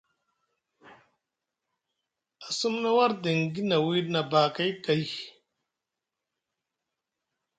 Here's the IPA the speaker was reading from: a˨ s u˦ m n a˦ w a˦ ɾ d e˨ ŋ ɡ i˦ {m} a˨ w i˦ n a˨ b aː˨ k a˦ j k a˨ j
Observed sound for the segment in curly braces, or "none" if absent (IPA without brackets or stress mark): n